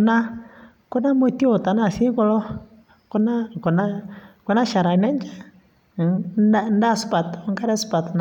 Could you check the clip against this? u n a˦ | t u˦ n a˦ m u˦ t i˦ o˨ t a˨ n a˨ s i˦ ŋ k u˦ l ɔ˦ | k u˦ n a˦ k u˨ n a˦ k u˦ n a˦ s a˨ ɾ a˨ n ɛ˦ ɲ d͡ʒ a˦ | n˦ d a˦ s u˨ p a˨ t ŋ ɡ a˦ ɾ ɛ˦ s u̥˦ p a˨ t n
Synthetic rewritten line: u n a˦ | k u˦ n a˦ m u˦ t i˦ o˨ t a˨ n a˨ s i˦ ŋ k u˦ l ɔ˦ | k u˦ n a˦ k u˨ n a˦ k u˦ n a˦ ʃ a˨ ɾ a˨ n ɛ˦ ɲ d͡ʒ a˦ | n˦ d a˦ s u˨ p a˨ t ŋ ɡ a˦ ɾ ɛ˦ s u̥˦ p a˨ t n